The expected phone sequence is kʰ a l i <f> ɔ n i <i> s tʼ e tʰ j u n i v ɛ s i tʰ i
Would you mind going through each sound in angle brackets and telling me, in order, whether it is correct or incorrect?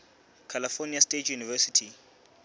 correct, incorrect: a

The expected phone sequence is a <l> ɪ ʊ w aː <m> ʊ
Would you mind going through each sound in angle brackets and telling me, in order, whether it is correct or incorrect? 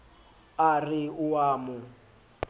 incorrect: r, correct

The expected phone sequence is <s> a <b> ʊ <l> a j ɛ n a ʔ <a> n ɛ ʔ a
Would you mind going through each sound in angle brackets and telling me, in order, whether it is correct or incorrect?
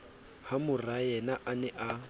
incorrect: h, incorrect: m, incorrect: r, correct

